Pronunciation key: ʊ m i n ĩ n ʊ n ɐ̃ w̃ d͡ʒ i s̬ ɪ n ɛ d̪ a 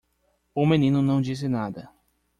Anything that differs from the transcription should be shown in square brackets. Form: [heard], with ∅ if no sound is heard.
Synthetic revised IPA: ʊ m [e] n ĩ n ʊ n ɐ̃ w̃ d͡ʒ i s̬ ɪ n [a] d̪ [ɐ]